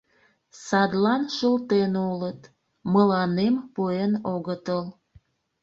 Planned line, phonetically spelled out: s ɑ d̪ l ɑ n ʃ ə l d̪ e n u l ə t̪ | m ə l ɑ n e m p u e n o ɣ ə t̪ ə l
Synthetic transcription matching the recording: s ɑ d̪ l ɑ n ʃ ə l t̪ e n u l ə t̪ | m ə l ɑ n e m p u e n o ɣ ə t̪ ə l